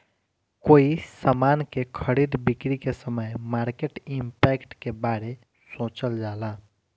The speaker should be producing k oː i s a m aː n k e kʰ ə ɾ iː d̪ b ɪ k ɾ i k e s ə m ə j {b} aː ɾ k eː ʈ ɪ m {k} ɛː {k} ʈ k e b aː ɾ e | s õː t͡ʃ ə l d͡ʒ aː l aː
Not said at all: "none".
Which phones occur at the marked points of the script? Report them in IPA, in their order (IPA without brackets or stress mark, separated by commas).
m, p, k